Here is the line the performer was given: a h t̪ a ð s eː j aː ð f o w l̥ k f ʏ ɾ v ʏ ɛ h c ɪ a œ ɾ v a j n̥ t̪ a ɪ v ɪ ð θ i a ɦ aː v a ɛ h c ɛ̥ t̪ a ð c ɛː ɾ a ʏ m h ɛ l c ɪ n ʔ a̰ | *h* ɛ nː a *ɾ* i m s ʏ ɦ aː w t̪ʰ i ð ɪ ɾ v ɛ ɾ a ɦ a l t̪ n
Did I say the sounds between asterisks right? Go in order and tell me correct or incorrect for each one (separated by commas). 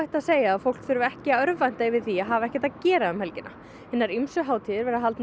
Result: correct, correct